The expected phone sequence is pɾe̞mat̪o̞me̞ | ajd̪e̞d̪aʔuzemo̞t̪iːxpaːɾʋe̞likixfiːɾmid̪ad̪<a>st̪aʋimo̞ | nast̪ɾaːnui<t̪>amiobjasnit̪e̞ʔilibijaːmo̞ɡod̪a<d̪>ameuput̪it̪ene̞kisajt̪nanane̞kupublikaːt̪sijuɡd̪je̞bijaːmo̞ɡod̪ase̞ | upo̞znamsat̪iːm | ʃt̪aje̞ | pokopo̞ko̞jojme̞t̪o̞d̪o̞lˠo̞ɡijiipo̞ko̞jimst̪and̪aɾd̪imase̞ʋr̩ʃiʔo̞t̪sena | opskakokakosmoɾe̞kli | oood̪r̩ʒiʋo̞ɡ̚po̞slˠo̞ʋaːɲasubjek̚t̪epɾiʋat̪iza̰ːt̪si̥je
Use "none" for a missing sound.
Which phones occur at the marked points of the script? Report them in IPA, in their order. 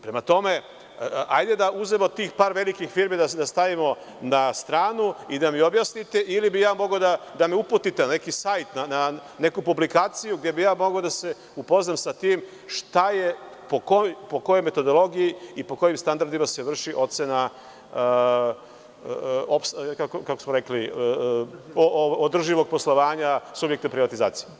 a, d̪, d̪

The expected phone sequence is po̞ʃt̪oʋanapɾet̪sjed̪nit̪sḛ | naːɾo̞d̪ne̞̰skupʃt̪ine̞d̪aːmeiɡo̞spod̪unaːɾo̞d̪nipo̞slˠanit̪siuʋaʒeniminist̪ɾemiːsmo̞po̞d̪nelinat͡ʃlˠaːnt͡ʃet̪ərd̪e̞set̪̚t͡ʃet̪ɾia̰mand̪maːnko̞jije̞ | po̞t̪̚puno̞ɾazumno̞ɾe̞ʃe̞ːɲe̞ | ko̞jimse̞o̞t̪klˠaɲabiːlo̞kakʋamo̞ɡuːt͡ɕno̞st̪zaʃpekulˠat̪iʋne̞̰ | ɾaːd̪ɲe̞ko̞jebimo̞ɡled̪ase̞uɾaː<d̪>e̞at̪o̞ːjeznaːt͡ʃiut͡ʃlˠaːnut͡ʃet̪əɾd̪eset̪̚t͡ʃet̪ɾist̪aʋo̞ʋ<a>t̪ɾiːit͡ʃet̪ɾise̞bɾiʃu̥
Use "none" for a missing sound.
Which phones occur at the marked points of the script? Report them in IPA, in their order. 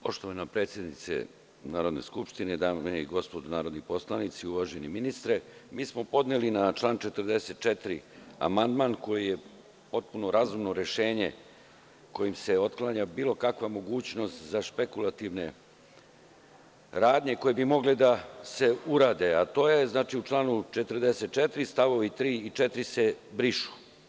d̪, i

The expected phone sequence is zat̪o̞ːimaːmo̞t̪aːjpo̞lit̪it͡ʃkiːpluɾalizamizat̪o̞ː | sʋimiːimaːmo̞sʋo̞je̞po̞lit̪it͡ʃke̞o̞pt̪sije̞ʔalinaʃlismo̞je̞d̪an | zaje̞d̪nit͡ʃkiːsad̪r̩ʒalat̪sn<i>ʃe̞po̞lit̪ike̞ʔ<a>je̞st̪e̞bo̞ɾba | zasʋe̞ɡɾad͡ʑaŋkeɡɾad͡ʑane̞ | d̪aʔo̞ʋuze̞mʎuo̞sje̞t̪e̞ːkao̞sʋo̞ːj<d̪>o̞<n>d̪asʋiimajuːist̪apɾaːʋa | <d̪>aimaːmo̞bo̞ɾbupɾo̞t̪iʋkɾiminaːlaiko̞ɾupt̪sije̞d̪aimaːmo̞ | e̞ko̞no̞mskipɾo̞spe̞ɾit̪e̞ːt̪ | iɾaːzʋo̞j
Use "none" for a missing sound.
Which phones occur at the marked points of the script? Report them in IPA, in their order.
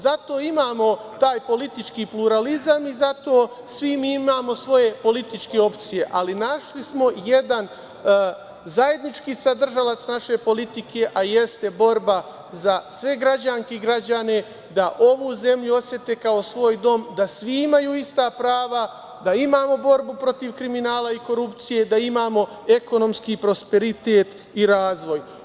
a, a, d̪, m, d̪

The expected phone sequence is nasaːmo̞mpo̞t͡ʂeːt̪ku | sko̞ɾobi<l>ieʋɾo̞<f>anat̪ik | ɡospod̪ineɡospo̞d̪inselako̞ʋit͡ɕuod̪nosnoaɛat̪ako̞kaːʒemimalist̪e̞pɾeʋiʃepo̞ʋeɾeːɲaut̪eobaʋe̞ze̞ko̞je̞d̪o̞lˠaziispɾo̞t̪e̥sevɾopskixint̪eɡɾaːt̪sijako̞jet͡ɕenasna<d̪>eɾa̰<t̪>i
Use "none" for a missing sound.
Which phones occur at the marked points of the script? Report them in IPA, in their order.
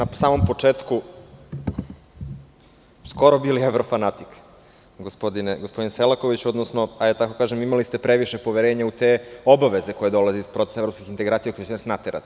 l, f, t̪, t̪

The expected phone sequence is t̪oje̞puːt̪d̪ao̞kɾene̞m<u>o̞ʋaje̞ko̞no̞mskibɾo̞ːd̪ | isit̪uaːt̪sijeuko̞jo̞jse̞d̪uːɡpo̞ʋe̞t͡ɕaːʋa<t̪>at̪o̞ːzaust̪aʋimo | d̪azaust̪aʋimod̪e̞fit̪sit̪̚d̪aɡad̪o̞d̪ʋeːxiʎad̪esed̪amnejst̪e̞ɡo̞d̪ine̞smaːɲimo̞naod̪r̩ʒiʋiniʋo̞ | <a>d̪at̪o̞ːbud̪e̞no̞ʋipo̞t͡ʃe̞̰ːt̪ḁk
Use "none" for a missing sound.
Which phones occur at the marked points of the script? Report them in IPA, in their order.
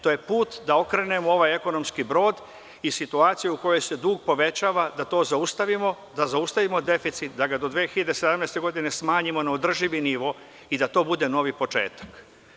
o, d̪, i

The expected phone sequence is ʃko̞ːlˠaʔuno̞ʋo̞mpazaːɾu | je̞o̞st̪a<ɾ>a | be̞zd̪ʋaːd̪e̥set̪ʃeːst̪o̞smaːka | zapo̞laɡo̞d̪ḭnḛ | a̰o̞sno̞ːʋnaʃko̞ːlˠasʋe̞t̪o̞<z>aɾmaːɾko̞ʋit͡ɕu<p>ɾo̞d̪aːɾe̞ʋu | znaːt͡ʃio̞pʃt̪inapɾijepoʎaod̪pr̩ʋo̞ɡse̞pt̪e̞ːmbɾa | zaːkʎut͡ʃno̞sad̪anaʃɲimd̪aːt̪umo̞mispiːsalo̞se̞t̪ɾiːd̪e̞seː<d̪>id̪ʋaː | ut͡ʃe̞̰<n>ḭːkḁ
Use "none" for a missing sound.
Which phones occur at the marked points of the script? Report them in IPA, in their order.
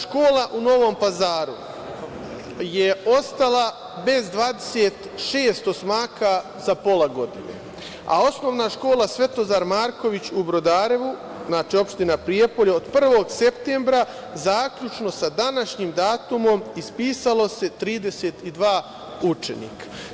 l, z, b, t̪, n

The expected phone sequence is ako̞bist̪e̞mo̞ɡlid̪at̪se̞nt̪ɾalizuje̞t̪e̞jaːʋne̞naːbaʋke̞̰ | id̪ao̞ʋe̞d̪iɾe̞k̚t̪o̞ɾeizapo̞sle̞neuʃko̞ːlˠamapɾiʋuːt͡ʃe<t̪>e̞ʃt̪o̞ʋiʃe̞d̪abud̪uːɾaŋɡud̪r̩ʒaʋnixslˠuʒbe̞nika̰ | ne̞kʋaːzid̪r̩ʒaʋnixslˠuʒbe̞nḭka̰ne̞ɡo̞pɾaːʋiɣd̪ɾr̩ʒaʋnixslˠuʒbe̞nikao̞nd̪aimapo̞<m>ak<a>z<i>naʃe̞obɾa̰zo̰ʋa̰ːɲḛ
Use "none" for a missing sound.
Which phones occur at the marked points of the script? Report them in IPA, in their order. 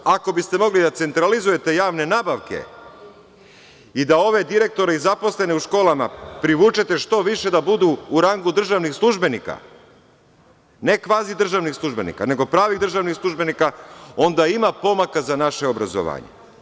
t̪, m, a, a

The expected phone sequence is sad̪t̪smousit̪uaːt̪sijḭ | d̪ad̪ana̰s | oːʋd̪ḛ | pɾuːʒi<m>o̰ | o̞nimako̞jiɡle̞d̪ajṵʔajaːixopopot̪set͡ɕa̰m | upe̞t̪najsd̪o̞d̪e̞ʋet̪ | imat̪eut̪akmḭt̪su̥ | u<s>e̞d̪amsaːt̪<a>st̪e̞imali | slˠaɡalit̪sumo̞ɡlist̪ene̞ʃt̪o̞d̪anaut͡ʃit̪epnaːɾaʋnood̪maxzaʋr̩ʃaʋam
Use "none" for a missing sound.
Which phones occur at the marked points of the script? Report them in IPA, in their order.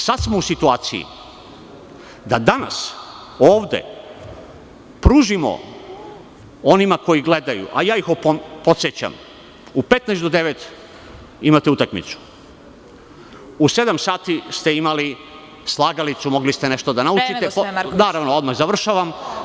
m, s, i

